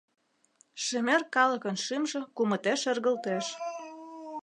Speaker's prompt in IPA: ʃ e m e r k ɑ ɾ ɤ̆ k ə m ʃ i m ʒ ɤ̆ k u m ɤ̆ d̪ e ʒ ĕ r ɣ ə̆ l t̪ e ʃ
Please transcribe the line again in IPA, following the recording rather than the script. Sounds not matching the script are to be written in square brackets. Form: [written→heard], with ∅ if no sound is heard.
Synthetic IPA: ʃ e m e r k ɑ [ɾ→l] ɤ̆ k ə [m→n] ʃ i m ʒ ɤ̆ k u m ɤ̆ [d̪→t̪] e [ʒ→ʃ] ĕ r ɣ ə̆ l t̪ e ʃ

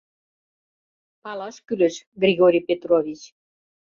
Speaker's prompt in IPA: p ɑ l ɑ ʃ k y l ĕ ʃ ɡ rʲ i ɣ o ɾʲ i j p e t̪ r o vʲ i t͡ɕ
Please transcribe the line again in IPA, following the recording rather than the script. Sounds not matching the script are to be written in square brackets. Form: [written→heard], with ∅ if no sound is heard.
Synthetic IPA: p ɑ l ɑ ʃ k y l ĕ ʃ ɡ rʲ i ɣ o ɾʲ i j p e t̪ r o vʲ i t͡ɕ

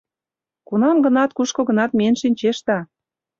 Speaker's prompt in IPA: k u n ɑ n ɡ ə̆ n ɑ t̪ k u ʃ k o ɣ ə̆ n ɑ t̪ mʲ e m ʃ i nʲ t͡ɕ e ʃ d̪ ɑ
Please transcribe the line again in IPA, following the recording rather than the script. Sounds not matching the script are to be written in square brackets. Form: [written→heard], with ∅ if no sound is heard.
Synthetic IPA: k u n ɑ [n→m] ɡ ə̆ n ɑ t̪ k u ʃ k o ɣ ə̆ n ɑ t̪ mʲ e [m→n] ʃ i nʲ t͡ɕ e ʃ [d̪→t̪] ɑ

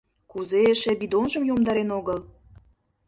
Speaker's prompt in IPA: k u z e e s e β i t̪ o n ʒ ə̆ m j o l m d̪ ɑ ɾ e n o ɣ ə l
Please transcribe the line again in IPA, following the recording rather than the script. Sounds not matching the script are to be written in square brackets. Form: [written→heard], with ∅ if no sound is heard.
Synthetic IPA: k u z e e [s→ʃ] e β i [t̪→d̪] o n ʒ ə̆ m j o [l→∅] m d̪ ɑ ɾ e n o ɣ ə l

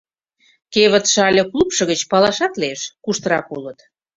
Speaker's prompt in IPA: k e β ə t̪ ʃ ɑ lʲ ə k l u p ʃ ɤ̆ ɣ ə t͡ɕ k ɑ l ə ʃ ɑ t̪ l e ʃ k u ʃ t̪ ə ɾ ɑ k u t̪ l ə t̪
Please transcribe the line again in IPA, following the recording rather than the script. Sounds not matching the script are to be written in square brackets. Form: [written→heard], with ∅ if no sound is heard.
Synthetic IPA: k e β ə t̪ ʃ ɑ lʲ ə k l u p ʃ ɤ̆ ɣ ə t͡ɕ [k→p] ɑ l [ə→ɑ] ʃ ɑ t̪ l e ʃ k u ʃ t̪ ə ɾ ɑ k u [t̪→∅] l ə t̪

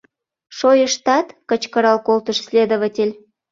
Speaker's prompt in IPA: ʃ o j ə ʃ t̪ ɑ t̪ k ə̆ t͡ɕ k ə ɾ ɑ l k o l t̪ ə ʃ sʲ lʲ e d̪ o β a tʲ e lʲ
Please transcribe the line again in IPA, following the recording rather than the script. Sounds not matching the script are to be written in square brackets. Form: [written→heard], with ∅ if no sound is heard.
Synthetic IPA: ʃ o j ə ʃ t̪ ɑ t̪ k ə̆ t͡ɕ k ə ɾ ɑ l k o l t̪ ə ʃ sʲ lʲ e d̪ o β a tʲ e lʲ

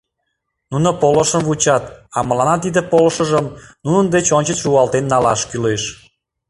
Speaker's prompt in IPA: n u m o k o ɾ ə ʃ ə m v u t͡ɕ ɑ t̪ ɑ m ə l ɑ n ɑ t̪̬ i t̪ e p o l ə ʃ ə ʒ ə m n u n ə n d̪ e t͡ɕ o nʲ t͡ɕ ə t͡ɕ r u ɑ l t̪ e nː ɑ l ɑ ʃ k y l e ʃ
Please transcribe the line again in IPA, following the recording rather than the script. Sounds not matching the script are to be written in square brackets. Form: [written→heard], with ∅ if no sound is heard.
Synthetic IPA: n u [m→n] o [k→p] o [ɾ→l] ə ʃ ə m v u t͡ɕ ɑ t̪ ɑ m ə l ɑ n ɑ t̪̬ i [t̪→d̪] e p o l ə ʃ ə ʒ ə m n u n ə n d̪ e t͡ɕ o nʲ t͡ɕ ə t͡ɕ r u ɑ l t̪ e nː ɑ l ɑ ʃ k y l e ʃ

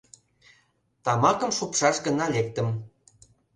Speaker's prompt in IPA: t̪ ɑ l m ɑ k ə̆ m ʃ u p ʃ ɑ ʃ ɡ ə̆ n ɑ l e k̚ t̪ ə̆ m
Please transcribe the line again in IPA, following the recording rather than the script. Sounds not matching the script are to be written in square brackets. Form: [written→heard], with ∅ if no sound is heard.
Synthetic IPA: t̪ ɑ [l→∅] m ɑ k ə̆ m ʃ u p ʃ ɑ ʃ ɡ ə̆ n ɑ l e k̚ t̪ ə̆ m

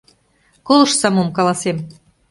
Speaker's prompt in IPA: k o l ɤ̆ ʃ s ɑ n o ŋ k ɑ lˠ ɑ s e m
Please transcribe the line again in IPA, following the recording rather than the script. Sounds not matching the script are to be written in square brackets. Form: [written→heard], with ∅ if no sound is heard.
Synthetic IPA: k o l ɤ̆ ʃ s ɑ [n→m] o [ŋ→m] k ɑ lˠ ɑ s e m

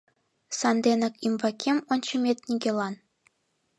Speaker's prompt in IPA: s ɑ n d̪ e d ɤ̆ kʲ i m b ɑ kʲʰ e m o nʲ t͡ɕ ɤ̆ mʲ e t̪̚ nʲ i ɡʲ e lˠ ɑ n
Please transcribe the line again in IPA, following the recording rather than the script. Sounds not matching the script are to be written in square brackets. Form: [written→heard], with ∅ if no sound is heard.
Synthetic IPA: s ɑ n d̪ e [d→n] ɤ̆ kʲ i m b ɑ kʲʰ e m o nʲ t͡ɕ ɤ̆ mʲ e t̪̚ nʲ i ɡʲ e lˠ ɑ n

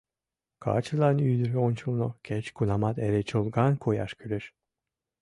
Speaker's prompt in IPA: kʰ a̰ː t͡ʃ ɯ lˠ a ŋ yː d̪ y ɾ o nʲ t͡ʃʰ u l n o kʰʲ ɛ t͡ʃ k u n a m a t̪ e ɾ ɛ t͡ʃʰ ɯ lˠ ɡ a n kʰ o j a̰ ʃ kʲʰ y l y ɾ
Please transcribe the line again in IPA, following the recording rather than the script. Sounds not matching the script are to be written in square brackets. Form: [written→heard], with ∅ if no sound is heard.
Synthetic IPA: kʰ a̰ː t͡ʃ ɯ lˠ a [ŋ→n] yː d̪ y ɾ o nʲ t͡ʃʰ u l n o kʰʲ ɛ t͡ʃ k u n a m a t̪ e ɾ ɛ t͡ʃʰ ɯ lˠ ɡ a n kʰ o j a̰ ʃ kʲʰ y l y ɾ

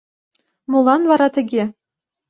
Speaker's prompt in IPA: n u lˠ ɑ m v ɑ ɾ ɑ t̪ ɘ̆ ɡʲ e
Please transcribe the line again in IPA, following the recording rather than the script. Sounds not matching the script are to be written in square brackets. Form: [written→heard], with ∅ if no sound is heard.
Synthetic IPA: [n→m] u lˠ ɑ [m→n] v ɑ ɾ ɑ t̪ ɘ̆ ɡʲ e

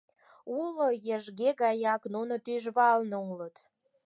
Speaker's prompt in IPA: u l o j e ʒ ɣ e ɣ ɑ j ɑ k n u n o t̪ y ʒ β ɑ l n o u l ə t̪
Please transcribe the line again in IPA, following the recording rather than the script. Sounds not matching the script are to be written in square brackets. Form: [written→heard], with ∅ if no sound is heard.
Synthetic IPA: u l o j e ʒ ɣ e ɣ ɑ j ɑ k n u n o t̪ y ʒ β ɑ l n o u l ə t̪

